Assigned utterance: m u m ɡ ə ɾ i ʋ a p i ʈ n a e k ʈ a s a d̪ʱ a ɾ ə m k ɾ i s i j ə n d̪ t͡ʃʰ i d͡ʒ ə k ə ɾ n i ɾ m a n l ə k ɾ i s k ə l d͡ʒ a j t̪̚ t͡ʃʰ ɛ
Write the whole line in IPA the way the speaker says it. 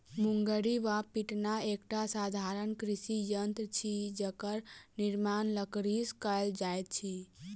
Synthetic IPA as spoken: m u ŋ ɡ ə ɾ i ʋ a p i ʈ n a e k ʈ a s a d̪ʱ a ɾ ə n k ɾ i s i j ə n t̪ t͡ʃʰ i d͡ʒ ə k ə ɾ n i ɾ m a n l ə k ɾ i s k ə l d͡ʒ a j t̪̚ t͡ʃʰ i